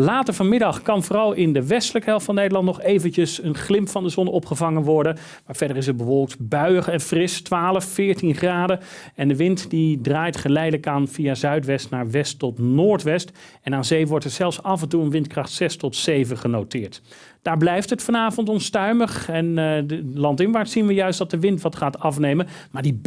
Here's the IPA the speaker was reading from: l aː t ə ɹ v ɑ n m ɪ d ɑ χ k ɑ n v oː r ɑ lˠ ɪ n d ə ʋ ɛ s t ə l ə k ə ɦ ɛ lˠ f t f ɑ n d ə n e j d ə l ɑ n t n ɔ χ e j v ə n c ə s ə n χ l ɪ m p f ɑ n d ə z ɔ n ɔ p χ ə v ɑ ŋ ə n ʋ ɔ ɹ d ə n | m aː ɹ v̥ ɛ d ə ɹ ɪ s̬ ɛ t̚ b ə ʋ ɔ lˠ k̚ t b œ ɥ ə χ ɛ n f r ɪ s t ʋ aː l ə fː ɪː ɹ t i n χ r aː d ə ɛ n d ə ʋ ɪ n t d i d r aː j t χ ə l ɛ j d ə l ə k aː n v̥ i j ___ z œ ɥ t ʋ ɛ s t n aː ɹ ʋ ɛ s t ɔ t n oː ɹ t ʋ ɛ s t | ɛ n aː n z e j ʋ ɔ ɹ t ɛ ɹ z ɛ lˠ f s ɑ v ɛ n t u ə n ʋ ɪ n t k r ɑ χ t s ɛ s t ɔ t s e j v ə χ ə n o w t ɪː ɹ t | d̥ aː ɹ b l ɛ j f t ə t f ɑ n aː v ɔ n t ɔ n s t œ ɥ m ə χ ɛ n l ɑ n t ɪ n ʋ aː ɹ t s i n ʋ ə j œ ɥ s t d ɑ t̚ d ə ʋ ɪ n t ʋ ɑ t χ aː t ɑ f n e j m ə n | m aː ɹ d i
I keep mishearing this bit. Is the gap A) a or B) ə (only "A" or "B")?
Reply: A